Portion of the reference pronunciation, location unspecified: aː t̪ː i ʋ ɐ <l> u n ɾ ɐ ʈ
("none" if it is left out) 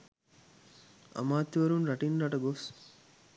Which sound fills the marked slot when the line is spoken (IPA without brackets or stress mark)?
ɾ